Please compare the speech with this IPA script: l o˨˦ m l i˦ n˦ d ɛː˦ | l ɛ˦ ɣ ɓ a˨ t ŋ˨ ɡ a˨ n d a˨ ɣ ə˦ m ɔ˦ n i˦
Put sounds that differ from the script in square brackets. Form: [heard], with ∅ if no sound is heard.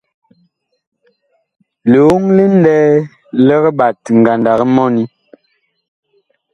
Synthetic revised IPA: l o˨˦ [ŋ] l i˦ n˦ d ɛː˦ | l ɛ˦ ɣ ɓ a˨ t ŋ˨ ɡ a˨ n d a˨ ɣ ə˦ m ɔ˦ n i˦